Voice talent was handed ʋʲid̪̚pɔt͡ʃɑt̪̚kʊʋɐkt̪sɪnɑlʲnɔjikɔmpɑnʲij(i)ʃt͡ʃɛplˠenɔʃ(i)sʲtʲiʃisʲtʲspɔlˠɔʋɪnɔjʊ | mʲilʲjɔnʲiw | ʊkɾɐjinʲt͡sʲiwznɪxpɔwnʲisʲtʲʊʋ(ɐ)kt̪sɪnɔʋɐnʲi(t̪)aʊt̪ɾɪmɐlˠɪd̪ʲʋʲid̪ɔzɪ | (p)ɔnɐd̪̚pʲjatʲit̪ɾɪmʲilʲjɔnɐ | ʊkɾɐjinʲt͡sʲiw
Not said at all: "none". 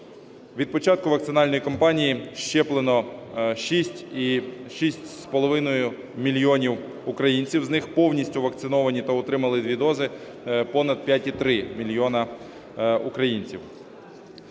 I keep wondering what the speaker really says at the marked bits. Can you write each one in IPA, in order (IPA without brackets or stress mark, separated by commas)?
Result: i, i, ɐ, t̪, p